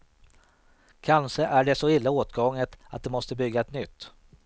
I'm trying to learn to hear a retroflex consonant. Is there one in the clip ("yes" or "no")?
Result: yes